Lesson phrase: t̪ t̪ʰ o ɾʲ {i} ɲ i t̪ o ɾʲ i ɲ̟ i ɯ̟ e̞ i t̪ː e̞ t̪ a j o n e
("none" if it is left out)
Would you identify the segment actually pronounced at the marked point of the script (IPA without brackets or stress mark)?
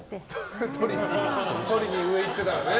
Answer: i